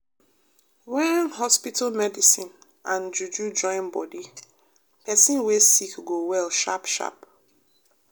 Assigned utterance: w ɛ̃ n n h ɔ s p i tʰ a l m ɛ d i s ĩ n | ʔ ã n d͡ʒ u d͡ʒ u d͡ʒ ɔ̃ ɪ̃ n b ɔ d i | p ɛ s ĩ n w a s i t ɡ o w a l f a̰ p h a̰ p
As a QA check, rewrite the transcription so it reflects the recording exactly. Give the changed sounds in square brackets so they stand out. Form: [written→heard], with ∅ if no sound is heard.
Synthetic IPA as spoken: w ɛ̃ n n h ɔ s p i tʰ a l m ɛ d i s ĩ n | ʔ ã n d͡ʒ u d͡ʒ u d͡ʒ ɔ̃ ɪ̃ n b ɔ d i | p ɛ s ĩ n w [a→e] s i [t→k] ɡ o w [a→ɛ] l [f→ʃ] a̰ p [h→ʃ] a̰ p

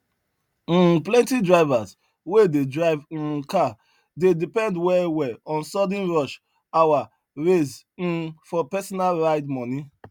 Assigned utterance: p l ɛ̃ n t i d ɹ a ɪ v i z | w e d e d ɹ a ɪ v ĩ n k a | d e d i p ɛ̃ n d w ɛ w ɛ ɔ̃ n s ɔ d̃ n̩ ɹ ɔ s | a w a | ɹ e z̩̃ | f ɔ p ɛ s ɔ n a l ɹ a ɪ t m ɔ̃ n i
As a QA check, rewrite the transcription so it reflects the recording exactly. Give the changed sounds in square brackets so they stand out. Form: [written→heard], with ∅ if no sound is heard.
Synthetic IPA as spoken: p l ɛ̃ n t i d ɹ a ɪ v [i→a] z | w e d e d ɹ a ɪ v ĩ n k a | d e d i p ɛ̃ n d w ɛ w ɛ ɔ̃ n s ɔ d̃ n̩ ɹ ɔ [s→ʃ] | a w a | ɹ e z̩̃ | f ɔ p ɛ s ɔ n a l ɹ a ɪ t m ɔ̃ n i

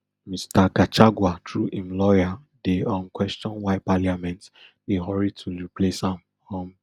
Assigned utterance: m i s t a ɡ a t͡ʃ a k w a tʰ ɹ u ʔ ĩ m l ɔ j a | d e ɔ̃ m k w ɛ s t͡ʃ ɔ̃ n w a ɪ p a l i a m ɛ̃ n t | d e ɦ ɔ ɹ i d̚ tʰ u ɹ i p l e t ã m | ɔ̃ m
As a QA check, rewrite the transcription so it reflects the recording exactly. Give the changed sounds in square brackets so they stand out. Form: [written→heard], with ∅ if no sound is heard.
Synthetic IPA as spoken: m i s t a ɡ a t͡ʃ a [k→ɡ] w a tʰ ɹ u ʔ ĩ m l ɔ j a | d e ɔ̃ m k w ɛ s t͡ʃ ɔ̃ n w a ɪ p a l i a m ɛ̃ n t | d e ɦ ɔ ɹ i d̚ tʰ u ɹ i p l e [t→s] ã m | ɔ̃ m

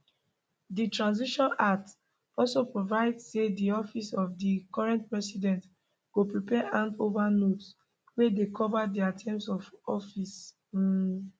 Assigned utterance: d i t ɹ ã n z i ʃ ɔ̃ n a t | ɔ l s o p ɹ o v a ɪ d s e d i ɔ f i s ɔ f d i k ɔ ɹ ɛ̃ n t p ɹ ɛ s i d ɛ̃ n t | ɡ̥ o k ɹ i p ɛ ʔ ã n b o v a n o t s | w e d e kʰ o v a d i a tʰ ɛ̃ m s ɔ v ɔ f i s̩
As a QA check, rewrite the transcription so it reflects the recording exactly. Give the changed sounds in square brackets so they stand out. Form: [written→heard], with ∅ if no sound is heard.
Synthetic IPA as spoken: d i t ɹ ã n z i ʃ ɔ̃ n a t | ɔ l s o p ɹ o v a ɪ d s e d i ɔ f i s ɔ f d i k ɔ ɹ ɛ̃ n t p ɹ ɛ s i d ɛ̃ n t | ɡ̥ o [k→p] ɹ i p ɛ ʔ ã n [b→d] o v a n o t s | w e d e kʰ [o→ɔ] v a d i a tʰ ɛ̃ m s ɔ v ɔ f i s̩

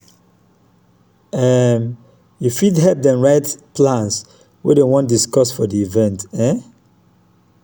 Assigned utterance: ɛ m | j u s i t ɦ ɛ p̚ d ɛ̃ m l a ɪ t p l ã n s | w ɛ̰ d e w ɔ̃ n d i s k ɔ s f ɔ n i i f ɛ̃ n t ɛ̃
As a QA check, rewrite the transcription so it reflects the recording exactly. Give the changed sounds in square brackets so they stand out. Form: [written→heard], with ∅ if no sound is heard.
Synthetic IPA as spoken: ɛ m | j u [s→f] i [t→d] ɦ ɛ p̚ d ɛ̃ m [l→ɹ] a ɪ t p l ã n s | w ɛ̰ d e w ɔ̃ n d i s k ɔ s f ɔ [n→d] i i [f→v] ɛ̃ n t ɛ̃

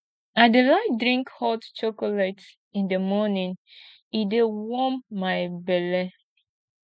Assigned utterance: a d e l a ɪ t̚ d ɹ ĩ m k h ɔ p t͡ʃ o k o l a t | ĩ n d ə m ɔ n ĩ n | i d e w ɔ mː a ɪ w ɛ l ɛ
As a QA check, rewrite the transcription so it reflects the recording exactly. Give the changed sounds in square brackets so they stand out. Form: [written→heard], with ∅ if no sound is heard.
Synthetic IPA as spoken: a d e l a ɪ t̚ d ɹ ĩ [m→ŋ] k h ɔ [p→t] t͡ʃ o k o l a t | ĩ n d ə m ɔ n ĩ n | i d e w ɔ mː a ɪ [w→b] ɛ l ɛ

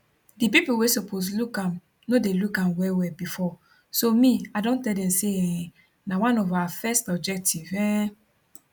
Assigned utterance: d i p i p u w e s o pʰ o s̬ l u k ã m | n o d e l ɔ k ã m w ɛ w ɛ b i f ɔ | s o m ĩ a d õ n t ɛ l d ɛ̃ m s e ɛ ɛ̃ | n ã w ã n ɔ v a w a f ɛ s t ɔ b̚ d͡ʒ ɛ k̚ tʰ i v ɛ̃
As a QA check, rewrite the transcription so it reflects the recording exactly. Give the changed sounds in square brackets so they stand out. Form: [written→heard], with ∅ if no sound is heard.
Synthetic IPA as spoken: d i p i p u w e s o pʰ o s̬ l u k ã m | n o d e l [ɔ→u] k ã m w ɛ w ɛ b i f ɔ | s o m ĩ a d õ n t ɛ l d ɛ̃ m s e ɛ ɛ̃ | n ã w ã n ɔ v a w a f ɛ s t ɔ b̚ d͡ʒ ɛ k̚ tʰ i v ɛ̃

